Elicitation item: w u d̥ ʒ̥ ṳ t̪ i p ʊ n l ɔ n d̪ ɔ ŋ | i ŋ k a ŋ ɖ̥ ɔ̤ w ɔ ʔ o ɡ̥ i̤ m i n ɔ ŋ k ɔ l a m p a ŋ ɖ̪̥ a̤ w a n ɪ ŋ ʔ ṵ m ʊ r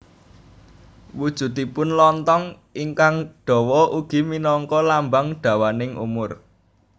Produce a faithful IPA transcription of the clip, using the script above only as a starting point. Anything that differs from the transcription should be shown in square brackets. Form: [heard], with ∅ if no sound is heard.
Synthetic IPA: w u d̥ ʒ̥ ṳ t̪ i p ʊ n l ɔ n [t̪] ɔ ŋ | i ŋ k a ŋ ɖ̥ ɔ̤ w ɔ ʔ [u] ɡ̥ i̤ m i n ɔ ŋ k ɔ l a m [b] a ŋ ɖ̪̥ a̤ w a n ɪ ŋ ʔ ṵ m ʊ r